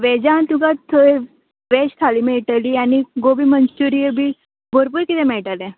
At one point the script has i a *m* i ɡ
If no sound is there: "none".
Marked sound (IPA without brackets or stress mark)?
n